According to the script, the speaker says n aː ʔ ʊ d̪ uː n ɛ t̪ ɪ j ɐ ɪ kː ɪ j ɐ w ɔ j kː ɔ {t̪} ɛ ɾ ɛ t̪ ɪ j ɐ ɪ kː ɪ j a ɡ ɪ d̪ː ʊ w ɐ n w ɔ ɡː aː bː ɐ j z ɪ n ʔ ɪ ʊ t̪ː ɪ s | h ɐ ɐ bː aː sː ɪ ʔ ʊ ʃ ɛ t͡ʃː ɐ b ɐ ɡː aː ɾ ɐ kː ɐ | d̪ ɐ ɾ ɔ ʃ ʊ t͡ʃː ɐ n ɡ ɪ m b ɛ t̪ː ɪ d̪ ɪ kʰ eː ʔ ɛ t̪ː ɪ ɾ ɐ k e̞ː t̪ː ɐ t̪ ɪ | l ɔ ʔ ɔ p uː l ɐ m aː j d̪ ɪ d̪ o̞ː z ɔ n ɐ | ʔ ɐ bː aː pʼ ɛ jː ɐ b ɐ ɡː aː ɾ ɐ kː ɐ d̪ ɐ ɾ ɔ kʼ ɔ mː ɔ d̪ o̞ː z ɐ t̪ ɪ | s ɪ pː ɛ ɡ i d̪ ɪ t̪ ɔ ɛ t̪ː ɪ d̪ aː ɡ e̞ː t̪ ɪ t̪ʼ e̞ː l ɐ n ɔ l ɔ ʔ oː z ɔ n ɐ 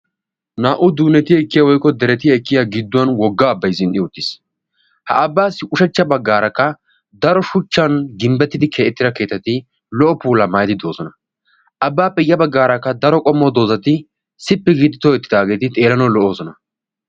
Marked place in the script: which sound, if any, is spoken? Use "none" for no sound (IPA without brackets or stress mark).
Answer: d̪